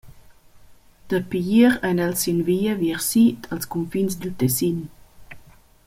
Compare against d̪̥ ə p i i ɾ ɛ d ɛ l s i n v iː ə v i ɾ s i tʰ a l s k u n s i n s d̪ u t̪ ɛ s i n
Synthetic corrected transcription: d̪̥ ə p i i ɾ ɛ n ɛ l s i n v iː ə v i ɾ s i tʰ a l s k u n f i n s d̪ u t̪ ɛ s i n